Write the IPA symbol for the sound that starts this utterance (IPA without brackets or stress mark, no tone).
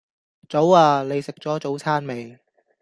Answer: t͡s